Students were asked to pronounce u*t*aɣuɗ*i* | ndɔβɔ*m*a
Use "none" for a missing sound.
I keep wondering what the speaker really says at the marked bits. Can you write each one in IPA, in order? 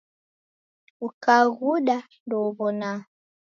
k, a, n

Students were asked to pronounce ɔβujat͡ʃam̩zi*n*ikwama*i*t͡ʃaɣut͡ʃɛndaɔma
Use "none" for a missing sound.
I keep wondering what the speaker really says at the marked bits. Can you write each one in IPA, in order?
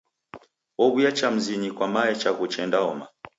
ɲ, ɛ

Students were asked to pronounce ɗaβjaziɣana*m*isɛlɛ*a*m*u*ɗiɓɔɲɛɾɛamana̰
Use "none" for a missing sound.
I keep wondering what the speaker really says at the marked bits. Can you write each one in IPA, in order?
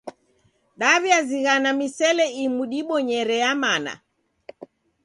m, i, u

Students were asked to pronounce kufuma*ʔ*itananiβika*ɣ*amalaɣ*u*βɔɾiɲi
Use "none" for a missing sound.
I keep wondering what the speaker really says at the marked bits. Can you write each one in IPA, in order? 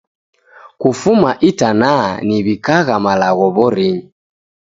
ʔ, ɣ, ɔ

